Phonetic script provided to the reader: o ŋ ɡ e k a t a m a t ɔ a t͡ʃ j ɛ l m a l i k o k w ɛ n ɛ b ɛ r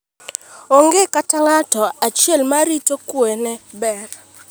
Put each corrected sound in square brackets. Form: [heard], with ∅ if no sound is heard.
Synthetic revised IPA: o ŋ ɡ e k a t a [ŋ] a t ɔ a t͡ʃ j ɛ l m a [ɾ] i [t] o k w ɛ n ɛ b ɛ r